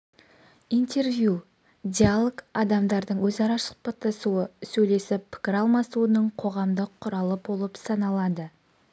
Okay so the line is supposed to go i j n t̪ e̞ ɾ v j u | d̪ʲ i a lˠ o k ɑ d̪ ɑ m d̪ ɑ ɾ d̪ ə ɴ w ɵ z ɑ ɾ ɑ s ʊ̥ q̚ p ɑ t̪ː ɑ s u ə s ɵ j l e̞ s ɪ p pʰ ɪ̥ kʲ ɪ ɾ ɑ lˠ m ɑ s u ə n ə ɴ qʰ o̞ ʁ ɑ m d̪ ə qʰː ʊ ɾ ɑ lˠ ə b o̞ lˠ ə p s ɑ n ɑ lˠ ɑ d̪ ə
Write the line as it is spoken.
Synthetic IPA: i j n t̪ e̞ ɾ v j u | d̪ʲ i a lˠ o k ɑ d̪ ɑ m d̪ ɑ ɾ d̪ ə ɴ w ɵ z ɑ ɾ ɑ s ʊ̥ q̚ p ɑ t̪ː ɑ s u ə s ɵ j l e̞ s ɪ p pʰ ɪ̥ kʲ ɪ ɾ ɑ lˠ m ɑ s u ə n ə ɴ qʰ o̞ ʁ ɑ m d̪ ə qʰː ʊ ɾ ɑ lˠ ə b o̞ lˠ ə p s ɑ n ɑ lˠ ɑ d̪ ə